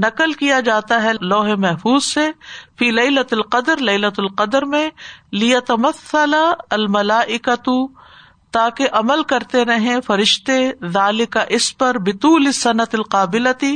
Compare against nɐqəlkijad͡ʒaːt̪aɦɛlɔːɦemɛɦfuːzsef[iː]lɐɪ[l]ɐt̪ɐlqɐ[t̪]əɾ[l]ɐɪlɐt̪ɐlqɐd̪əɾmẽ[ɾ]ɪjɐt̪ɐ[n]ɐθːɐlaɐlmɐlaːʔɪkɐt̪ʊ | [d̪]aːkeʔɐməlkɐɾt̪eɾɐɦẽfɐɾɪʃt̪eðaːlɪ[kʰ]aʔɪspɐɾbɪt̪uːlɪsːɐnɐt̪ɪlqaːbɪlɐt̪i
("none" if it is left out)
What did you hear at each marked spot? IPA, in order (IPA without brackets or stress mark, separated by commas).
iː, l, d̪, l, l, m, t̪, k